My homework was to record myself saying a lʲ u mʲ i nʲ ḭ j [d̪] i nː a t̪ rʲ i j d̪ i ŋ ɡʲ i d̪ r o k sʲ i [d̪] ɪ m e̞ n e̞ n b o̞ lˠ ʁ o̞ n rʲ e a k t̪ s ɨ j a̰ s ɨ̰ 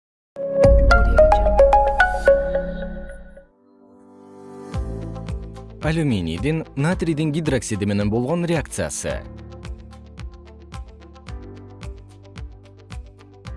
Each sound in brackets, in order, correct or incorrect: correct, correct

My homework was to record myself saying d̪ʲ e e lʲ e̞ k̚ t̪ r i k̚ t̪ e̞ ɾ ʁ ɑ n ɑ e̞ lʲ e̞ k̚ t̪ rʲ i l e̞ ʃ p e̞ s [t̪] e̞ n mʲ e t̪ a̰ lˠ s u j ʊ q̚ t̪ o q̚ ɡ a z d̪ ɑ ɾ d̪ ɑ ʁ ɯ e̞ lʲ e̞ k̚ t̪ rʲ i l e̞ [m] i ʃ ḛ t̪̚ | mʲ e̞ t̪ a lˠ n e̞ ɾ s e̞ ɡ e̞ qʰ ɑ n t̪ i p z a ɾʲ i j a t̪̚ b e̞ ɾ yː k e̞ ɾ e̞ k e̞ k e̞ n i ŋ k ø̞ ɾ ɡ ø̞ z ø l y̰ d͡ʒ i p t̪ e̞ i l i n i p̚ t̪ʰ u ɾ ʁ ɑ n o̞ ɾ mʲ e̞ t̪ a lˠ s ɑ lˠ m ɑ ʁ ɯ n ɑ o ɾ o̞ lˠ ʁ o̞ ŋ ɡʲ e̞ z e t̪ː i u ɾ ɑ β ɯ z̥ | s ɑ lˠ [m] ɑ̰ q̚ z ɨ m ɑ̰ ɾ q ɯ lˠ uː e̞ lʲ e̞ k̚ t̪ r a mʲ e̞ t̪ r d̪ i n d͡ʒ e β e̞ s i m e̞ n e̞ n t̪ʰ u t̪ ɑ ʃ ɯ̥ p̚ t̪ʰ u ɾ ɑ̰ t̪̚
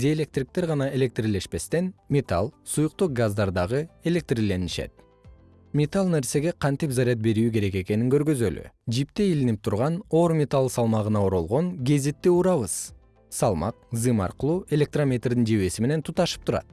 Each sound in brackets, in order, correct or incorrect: correct, incorrect: n, correct

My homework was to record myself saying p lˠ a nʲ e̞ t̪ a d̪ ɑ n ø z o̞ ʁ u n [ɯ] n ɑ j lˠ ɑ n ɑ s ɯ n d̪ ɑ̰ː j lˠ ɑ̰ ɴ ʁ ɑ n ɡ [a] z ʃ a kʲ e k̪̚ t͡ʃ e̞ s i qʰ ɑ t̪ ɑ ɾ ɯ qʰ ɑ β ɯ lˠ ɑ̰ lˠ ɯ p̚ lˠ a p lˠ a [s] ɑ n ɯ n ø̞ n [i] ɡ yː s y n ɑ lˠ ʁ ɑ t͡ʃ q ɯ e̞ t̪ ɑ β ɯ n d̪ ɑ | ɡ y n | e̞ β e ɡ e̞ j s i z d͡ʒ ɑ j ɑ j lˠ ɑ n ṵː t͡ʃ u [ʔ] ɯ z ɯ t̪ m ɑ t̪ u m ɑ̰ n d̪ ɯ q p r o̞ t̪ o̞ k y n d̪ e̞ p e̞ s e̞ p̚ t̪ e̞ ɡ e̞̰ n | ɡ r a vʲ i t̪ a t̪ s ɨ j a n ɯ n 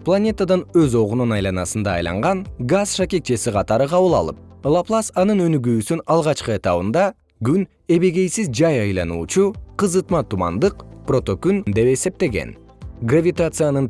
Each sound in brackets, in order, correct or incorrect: incorrect: u, correct, correct, incorrect: y, incorrect: q

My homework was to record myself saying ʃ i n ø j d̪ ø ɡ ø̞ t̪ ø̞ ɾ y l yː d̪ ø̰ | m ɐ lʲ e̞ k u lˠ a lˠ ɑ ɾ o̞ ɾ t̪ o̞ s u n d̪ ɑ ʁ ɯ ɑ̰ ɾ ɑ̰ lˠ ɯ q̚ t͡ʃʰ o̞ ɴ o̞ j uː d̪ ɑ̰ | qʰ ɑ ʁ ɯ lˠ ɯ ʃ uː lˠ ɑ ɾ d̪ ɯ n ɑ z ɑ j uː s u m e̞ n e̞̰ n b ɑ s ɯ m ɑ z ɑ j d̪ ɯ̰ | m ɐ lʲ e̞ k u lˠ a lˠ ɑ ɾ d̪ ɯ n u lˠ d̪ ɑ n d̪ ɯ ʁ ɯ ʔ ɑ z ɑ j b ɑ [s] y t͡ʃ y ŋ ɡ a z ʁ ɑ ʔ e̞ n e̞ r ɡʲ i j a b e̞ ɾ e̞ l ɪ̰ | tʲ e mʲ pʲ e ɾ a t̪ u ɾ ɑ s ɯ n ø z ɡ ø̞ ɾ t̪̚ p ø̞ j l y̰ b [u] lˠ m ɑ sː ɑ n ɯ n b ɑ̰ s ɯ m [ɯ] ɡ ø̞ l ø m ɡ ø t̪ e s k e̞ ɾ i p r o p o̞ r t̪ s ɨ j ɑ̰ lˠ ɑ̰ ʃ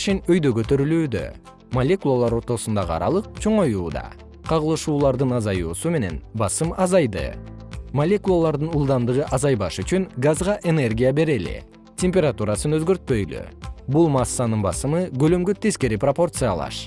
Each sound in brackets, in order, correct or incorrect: incorrect: ʃ, correct, correct

